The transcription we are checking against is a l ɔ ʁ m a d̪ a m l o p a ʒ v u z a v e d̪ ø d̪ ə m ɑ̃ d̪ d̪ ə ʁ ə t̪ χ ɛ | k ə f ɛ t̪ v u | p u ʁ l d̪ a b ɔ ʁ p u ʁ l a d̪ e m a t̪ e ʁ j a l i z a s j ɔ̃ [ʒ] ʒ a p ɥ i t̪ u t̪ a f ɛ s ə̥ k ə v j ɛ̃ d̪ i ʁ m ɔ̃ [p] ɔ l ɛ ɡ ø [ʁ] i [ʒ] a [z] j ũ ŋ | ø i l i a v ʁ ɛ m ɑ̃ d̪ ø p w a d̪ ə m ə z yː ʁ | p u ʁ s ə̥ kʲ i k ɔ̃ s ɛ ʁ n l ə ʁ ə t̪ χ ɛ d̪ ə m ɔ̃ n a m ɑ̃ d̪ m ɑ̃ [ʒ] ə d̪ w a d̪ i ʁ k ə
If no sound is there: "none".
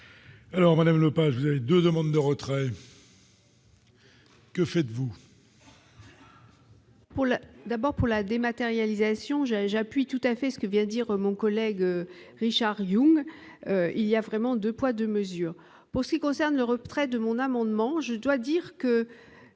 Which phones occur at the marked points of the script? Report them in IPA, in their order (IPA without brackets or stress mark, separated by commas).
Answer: ʒ, k, ʁ, ʃ, ʁ, ʒ